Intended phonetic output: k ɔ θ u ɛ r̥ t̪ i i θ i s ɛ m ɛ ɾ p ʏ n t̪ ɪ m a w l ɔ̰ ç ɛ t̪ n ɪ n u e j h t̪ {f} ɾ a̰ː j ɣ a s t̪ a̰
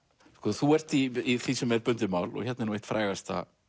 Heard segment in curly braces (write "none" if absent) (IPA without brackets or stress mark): f